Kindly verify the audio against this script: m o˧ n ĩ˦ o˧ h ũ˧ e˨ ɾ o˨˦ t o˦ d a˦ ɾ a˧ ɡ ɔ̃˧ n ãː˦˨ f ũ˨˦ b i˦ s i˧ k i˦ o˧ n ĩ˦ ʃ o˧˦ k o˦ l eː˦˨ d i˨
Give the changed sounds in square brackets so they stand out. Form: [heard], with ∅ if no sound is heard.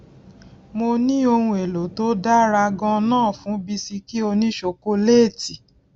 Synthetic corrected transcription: m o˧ n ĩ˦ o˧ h ũ˧ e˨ [l] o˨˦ t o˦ d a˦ ɾ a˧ ɡ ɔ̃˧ n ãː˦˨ f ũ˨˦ b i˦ s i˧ k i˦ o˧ n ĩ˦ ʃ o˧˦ k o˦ l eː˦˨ [t] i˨